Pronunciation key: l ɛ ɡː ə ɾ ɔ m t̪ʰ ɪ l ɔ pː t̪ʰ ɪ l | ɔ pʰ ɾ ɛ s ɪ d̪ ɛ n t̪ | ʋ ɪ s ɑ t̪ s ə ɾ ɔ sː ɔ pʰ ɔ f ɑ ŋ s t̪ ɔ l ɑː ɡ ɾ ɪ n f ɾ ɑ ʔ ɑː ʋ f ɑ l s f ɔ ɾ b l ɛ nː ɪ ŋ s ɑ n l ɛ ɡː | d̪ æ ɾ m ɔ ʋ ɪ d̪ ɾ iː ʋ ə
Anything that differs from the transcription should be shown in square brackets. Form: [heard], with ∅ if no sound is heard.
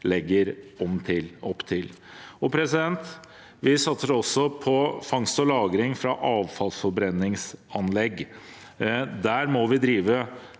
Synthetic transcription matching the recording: l ɛ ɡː ə ɾ ɔ m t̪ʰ ɪ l ɔ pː t̪ʰ ɪ l | ɔ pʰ ɾ ɛ s ɪ d̪ ɛ n t̪ | ʋ ɪ s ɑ t̪ s ə ɾ ɔ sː ɔ pʰ ɔ f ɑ ŋ s t̪ ɔ l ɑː ɡ ɾ ɪ [ŋ] f ɾ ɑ ʔ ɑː ʋ f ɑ l s f ɔ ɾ b [ɾ] ɛ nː ɪ ŋ s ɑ n l ɛ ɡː | d̪ æ ɾ m ɔ ʋ ɪ d̪ ɾ iː ʋ ə